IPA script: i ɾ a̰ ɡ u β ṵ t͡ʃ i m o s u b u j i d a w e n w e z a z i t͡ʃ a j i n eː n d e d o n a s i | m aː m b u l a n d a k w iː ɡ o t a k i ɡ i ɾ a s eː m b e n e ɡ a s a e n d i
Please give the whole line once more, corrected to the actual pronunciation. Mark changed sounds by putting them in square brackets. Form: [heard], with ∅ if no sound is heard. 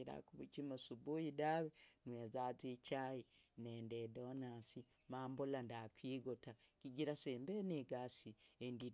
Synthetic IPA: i ɾ a̰ [k] u β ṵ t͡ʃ i m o s u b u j i d a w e n w e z a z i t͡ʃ a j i n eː n d e d o n a s i | m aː m b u l a n d a k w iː ɡ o t a k i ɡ i ɾ a s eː m b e n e ɡ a s [i] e n d i